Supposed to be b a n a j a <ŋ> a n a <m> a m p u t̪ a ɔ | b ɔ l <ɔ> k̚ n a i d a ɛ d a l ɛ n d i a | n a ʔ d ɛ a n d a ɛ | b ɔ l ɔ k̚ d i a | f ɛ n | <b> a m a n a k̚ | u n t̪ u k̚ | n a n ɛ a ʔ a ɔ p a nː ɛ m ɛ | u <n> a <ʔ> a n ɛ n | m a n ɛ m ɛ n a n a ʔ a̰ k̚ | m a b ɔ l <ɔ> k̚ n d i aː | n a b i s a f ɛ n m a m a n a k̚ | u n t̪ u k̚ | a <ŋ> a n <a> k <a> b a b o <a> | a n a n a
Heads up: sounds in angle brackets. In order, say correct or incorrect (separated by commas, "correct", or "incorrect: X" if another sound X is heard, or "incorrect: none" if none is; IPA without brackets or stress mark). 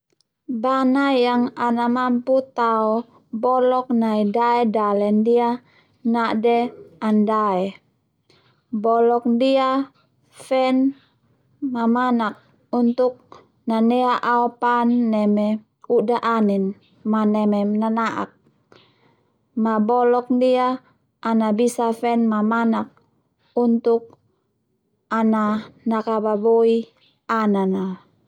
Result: correct, correct, correct, incorrect: m, incorrect: d, correct, correct, incorrect: n, correct, correct, incorrect: i